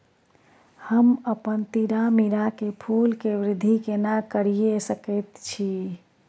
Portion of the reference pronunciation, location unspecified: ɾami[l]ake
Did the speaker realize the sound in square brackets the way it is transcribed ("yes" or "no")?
no